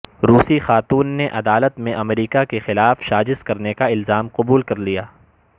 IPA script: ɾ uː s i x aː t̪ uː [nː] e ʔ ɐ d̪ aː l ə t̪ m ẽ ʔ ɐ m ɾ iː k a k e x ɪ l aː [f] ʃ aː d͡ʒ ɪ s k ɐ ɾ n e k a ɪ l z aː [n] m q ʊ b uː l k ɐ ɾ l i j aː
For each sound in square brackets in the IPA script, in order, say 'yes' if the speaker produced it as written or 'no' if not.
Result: yes, yes, no

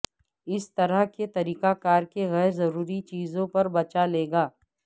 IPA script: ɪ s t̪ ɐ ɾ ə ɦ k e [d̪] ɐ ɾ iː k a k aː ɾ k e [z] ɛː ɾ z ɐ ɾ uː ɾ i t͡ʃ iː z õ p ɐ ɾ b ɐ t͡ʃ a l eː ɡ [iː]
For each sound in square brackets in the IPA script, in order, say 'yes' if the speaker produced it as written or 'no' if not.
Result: no, no, no

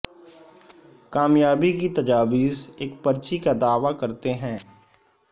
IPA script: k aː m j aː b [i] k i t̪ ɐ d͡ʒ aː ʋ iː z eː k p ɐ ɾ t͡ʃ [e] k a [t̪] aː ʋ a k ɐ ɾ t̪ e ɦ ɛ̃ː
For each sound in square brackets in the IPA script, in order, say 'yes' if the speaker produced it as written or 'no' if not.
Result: yes, no, no

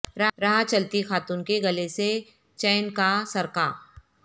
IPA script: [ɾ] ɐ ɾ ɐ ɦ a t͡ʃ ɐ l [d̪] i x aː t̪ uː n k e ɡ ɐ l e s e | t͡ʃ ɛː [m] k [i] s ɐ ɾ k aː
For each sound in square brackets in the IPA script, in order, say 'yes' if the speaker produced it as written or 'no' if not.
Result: yes, no, no, no

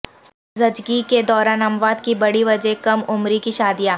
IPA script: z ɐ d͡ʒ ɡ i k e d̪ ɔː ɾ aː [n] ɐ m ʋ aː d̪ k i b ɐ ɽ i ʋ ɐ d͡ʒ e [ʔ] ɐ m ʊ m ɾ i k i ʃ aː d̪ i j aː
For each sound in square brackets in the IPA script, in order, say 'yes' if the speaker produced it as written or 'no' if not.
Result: yes, no

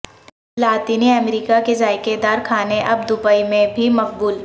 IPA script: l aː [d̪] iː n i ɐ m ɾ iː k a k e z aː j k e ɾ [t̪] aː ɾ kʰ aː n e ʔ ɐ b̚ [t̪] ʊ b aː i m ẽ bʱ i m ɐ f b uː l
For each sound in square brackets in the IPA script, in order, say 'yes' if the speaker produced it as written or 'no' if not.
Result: no, no, no

